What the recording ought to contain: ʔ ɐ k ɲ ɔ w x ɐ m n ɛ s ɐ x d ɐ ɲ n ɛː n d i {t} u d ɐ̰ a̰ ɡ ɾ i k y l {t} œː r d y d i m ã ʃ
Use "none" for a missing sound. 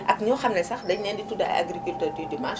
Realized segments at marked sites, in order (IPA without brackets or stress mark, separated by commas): t, t